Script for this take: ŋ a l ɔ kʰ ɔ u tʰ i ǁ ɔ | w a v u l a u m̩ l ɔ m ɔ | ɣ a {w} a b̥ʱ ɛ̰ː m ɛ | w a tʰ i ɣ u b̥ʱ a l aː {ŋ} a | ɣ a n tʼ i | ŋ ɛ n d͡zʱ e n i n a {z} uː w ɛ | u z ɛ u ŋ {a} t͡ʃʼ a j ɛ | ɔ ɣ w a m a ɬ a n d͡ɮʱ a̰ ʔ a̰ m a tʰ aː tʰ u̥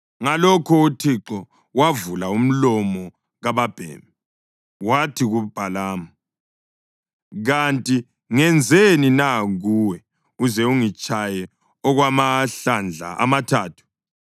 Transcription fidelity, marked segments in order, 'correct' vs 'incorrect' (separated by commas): incorrect, incorrect, incorrect, incorrect